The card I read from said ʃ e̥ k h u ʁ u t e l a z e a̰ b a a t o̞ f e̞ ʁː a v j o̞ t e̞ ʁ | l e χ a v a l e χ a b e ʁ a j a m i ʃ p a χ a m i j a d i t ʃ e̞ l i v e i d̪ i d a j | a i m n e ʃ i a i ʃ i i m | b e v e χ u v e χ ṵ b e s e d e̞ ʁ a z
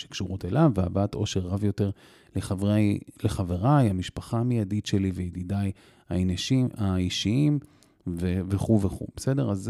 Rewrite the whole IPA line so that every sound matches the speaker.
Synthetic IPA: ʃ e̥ k ʃ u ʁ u t e l a v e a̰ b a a t o̞ ʃ e̞ ʁː a v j o̞ t e̞ ʁ | l e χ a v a l e χ a v e ʁ a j a m i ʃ p a χ a m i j a d i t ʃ e̞ l i v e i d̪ i d a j | a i n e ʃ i a i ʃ i i m | v e v e χ u v e χ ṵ b e s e d e̞ ʁ a z